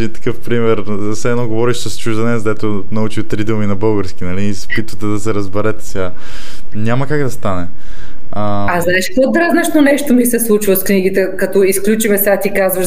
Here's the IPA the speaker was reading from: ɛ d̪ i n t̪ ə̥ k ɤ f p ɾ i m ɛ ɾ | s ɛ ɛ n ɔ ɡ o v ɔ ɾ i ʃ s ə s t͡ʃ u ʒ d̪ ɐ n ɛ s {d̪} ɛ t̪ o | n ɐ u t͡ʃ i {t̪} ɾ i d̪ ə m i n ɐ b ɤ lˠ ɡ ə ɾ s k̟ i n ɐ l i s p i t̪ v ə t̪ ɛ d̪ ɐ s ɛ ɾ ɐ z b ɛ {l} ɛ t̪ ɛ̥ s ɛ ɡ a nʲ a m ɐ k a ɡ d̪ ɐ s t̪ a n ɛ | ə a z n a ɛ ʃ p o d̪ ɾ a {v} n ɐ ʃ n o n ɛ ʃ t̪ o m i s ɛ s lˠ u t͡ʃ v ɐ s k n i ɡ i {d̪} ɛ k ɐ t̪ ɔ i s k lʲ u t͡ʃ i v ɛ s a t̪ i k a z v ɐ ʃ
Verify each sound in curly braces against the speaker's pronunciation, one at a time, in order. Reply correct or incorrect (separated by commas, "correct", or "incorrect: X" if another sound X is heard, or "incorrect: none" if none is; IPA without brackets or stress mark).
correct, correct, incorrect: ɾ, incorrect: z, incorrect: t̪